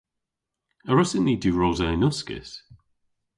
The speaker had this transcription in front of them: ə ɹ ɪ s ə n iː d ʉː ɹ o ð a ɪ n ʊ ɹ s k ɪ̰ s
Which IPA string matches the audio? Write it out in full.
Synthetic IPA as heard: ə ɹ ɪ s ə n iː d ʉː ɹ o z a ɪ n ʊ s k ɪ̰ s